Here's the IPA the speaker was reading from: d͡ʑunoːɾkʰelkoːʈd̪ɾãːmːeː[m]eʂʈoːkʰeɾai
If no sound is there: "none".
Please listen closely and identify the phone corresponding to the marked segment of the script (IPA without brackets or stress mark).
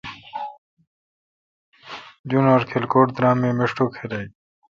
m